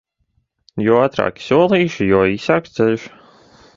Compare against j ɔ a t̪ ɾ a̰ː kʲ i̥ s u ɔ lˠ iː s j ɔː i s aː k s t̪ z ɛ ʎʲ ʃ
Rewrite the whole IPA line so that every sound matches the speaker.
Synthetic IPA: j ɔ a t̪ ɾ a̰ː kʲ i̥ s u ɔ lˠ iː ʃ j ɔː i s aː k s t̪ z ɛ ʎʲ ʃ